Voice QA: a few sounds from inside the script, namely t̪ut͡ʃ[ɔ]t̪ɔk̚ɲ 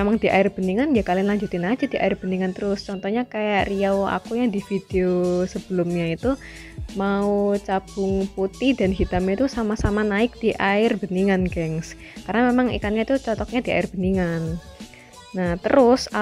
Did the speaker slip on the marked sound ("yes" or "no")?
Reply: no